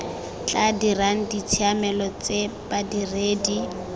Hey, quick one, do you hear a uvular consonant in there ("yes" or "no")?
no